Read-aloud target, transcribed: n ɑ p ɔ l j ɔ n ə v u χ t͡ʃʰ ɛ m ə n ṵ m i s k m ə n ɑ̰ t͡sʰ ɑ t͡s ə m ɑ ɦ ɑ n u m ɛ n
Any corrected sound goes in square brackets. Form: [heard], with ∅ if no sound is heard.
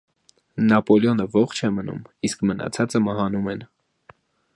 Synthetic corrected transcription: n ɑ p ɔ l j ɔ n ə v [ɔ] χ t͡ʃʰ ɛ m ə n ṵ m i s k m ə n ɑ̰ t͡sʰ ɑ t͡s ə m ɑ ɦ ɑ n u m ɛ n